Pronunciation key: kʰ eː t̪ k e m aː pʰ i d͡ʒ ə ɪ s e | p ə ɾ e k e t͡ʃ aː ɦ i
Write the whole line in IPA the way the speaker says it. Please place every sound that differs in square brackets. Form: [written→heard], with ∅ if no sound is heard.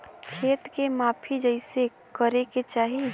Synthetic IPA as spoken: kʰ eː t̪ k e m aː pʰ i d͡ʒ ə ɪ s e | [p→k] ə ɾ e k e t͡ʃ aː ɦ i